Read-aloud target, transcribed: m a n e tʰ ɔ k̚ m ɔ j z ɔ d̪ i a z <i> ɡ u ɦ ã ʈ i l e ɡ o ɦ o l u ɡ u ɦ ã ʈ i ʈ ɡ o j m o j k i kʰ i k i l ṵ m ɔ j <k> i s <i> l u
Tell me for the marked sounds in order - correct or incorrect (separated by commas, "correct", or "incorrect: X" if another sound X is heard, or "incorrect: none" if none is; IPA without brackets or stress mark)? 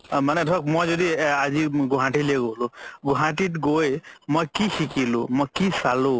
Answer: correct, correct, incorrect: a